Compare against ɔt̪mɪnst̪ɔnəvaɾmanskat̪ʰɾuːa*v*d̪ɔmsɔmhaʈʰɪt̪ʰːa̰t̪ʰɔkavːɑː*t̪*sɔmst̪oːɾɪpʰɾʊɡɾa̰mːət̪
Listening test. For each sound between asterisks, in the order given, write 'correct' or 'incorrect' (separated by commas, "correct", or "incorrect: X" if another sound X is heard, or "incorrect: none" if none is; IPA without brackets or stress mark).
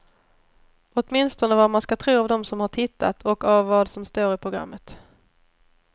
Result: correct, incorrect: d̪